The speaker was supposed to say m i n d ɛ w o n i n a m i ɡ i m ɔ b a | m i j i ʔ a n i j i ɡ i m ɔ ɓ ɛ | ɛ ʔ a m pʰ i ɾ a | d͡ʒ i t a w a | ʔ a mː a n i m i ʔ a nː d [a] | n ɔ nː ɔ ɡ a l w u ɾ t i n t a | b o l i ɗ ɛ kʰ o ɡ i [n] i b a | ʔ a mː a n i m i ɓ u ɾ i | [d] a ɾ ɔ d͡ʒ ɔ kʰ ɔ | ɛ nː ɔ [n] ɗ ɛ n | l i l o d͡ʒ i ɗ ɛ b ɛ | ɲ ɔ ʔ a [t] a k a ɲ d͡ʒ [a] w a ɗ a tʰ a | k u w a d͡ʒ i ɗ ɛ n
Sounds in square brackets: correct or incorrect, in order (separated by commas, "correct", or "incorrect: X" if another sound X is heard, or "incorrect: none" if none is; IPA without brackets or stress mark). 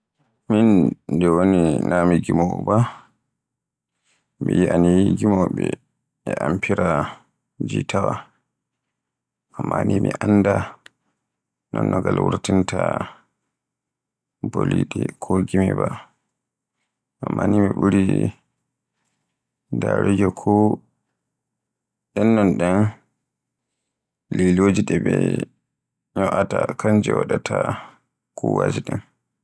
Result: correct, incorrect: m, correct, correct, correct, incorrect: ɛ